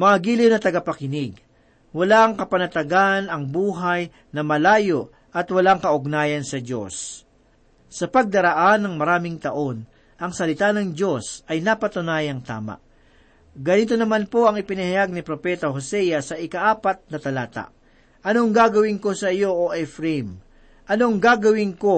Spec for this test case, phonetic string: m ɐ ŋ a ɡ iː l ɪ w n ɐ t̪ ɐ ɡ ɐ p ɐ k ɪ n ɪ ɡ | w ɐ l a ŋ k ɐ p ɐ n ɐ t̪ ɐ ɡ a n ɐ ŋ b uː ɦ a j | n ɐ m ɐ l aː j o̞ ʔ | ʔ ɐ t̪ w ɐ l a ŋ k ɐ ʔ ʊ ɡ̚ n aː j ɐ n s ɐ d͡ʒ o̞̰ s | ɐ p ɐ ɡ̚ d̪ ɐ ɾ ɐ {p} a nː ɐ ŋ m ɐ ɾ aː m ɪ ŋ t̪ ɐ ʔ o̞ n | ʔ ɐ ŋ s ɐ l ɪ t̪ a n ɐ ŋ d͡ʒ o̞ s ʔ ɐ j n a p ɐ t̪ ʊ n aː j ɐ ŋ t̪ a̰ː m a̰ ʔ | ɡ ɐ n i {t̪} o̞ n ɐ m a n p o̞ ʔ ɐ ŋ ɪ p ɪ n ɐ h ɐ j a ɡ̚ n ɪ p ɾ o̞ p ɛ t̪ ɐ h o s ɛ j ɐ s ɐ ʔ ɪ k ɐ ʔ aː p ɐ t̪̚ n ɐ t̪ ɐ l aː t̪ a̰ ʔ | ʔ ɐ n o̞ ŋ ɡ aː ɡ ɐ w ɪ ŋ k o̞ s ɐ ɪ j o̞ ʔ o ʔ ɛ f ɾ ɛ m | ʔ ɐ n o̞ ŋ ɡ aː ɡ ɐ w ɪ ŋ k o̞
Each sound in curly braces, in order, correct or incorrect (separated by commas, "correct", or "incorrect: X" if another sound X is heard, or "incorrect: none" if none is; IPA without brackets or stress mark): incorrect: ʔ, correct